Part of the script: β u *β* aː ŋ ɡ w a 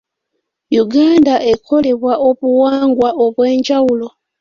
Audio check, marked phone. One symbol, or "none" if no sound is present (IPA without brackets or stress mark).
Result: w